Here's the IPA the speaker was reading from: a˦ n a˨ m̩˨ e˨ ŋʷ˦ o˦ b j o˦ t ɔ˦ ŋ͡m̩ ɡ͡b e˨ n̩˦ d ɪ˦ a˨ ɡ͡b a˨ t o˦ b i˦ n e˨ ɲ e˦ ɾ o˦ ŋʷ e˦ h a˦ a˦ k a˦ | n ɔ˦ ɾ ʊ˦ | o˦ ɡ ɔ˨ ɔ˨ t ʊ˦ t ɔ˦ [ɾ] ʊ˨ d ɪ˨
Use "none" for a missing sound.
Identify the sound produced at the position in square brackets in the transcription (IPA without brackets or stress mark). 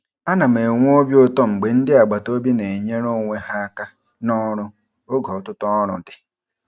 ɾ